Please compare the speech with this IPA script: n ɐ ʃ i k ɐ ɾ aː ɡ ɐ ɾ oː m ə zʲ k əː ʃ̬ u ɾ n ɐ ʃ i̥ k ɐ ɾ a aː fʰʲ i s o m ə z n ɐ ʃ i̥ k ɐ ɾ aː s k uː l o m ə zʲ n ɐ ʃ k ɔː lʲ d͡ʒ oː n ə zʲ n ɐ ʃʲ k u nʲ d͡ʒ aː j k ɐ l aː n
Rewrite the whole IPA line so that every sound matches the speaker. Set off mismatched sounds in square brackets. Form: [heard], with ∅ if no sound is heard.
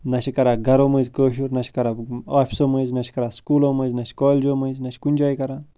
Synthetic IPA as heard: n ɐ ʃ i k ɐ ɾ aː ɡ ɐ ɾ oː m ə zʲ k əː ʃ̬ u ɾ n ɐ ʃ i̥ k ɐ ɾ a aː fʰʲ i s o m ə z n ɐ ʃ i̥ k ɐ ɾ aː s k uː l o m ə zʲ n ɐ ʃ k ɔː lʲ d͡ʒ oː [m] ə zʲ n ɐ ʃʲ k u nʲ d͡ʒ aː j k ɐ [ɾ] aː n